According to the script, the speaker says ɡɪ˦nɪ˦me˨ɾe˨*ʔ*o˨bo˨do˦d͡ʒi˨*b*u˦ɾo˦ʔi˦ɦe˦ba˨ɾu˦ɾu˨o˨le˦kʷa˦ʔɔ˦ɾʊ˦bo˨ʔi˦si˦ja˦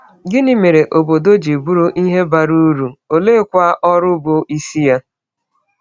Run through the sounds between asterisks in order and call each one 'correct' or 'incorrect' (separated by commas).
correct, correct